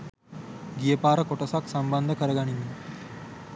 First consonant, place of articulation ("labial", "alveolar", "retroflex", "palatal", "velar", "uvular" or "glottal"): velar